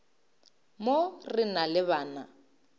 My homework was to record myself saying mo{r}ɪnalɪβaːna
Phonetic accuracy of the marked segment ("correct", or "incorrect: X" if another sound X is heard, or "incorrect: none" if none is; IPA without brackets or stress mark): correct